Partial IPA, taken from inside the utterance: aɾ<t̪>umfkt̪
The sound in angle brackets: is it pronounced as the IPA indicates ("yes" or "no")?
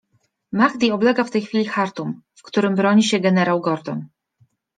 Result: yes